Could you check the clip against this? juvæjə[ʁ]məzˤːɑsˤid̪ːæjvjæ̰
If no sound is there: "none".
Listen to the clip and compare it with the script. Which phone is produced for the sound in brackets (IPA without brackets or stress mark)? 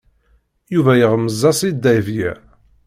ʁ